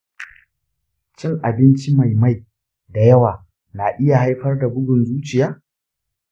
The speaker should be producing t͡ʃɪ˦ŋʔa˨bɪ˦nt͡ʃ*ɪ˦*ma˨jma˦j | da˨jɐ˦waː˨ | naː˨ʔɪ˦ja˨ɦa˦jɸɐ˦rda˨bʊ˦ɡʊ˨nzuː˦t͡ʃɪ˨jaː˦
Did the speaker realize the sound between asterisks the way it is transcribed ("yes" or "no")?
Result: no